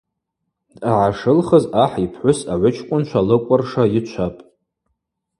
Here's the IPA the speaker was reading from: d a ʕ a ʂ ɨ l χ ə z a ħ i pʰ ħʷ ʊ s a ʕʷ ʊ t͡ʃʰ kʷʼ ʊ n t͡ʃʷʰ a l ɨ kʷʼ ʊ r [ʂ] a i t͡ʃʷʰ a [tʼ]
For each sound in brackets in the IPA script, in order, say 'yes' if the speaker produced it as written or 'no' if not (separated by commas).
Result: yes, no